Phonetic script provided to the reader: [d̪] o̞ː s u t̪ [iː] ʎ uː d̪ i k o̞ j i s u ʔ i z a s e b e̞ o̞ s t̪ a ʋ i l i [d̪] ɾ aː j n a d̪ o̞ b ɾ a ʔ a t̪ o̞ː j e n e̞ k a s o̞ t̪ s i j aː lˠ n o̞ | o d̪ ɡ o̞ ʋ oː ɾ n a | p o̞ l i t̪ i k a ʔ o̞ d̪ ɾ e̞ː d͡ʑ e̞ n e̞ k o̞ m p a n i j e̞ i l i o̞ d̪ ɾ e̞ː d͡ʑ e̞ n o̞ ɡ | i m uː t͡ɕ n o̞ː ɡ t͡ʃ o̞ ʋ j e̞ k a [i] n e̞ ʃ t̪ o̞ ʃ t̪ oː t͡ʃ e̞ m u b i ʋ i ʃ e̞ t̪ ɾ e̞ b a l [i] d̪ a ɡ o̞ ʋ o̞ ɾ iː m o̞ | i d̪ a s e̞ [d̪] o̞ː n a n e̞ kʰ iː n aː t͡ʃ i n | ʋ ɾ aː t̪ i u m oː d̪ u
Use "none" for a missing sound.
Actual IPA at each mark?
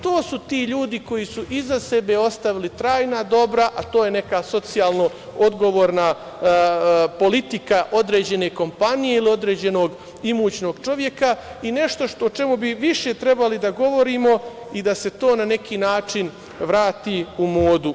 t̪, iː, t̪, i, i, t̪

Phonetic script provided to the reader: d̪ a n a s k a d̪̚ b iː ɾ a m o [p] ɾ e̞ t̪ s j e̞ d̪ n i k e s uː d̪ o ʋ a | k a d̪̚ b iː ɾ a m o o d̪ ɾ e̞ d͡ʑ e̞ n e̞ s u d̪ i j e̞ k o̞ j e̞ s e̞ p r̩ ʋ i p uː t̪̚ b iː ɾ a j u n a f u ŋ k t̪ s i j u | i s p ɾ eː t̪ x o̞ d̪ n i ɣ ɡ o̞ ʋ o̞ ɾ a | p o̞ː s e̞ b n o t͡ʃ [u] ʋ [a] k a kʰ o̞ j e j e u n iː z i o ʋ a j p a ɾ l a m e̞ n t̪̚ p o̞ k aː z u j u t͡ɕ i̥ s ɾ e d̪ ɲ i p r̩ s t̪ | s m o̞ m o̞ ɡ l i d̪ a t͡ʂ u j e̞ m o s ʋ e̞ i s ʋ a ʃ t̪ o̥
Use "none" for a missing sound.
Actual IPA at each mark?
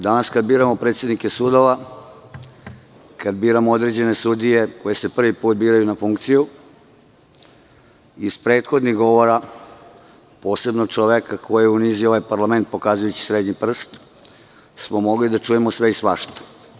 p, o, e

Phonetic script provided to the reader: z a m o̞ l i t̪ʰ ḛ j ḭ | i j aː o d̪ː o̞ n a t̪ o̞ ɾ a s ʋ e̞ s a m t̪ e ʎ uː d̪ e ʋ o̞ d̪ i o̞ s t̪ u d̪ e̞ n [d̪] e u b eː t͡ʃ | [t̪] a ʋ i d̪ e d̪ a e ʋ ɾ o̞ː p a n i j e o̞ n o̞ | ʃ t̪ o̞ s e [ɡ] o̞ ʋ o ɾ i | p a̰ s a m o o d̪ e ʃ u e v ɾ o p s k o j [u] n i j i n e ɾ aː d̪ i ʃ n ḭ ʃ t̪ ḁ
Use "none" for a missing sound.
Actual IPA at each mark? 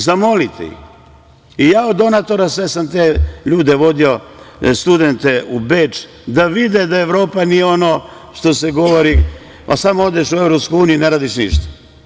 t̪, d̪, ɡ, uː

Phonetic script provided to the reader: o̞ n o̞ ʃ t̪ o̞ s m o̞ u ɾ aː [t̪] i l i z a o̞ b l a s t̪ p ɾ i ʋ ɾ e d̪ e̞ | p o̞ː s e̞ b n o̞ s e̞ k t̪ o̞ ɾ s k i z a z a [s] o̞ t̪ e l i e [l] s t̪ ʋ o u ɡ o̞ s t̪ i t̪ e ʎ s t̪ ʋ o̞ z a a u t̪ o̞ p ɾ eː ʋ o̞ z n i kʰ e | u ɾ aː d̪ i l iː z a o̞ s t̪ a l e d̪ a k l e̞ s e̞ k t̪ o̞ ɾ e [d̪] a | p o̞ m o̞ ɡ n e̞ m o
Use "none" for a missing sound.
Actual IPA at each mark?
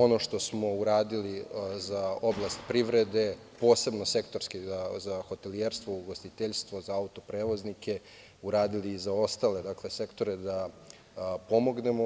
d̪, x, ɾ, d̪

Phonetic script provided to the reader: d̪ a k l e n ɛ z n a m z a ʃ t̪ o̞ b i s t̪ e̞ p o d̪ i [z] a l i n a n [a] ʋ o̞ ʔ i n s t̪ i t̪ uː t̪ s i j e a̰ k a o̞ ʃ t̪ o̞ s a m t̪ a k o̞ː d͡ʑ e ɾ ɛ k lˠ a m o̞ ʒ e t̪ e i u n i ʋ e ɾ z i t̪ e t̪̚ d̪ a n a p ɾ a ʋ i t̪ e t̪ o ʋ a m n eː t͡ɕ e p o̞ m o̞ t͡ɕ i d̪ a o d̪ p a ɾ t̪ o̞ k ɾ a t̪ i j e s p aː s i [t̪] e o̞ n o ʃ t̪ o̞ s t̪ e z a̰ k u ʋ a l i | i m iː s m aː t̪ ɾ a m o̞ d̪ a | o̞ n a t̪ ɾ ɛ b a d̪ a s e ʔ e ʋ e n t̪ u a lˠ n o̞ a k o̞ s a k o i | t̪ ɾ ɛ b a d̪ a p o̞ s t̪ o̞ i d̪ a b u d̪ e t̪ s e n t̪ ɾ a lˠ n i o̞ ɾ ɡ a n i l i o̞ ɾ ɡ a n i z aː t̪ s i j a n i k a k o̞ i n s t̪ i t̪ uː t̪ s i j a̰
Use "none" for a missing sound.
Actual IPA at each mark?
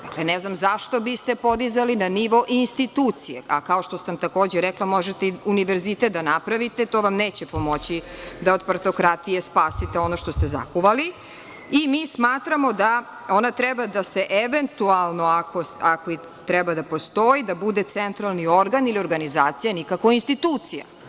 z, i, t̪

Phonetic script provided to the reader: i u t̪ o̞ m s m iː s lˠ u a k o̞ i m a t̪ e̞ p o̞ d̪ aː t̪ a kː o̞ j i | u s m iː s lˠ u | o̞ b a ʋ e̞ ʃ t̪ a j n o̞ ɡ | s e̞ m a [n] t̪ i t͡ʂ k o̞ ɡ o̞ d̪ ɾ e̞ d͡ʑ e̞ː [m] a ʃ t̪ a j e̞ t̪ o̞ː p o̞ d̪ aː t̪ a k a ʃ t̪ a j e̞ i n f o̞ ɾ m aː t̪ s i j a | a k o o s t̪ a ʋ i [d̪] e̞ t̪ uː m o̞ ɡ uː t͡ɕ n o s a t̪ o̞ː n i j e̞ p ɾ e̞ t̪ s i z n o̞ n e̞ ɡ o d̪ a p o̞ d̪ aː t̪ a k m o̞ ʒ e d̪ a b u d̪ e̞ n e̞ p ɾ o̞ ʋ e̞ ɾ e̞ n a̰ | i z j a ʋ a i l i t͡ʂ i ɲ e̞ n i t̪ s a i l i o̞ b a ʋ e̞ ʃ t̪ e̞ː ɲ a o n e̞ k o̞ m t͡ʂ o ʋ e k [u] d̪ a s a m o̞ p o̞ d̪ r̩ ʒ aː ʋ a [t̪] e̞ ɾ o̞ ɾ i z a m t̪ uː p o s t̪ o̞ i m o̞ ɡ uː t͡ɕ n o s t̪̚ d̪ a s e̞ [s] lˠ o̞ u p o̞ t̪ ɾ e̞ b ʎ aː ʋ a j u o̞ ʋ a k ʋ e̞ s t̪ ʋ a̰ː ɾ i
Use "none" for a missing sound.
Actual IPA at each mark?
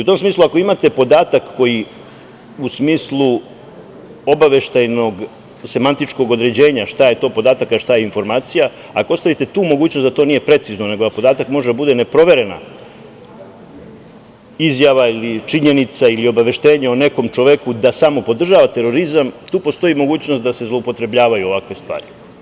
n, ɲ, t̪, u, t̪, z

